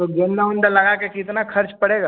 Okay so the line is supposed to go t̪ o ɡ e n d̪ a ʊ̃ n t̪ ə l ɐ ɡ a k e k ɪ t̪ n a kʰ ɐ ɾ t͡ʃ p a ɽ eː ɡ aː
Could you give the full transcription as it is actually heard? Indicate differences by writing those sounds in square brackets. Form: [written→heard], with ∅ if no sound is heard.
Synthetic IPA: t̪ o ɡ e n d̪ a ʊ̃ n [t̪→d̪] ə l ɐ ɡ a k e k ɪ t̪ n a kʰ ɐ ɾ t͡ʃ p [a→ɐ] ɽ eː ɡ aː